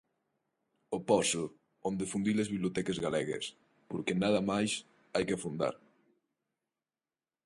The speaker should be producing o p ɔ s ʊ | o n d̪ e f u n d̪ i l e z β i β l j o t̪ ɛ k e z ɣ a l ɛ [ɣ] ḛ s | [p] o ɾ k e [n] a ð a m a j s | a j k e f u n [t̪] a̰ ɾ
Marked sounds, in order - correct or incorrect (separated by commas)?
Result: correct, correct, correct, incorrect